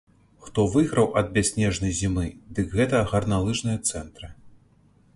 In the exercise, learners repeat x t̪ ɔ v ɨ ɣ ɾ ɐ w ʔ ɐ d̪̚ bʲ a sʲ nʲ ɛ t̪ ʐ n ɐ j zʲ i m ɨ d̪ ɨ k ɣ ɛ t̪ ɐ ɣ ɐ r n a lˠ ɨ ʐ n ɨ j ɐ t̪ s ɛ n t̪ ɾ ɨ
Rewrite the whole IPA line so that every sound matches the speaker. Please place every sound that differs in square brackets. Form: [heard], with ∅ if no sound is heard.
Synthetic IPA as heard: x t̪ ɔ v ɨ ɣ ɾ ɐ w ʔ ɐ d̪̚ bʲ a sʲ nʲ ɛ [∅] ʐ n ɐ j zʲ i m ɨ d̪ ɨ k ɣ ɛ t̪ ɐ ɣ ɐ r n a lˠ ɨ ʐ n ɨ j ɐ t̪ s ɛ n t̪ ɾ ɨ